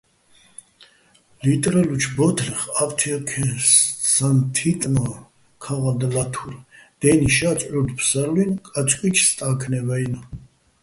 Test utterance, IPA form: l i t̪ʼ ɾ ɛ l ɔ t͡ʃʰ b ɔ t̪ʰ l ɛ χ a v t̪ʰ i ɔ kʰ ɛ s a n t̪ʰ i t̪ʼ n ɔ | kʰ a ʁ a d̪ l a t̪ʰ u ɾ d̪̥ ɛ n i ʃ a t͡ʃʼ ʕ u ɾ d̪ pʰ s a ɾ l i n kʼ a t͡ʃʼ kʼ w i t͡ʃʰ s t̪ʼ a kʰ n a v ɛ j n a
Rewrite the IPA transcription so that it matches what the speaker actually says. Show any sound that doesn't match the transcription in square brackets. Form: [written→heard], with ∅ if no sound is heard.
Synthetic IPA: l i t̪ʼ ɾ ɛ l [ɔ→u] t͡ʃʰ b ɔ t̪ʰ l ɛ χ a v t̪ʰ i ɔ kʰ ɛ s a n t̪ʰ i t̪ʼ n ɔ | kʰ a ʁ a d̪ l a t̪ʰ u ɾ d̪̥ ɛ n i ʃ a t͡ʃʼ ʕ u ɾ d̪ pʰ s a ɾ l i n kʼ a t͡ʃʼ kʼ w i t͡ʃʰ s t̪ʼ a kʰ n [a→ɛ] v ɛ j n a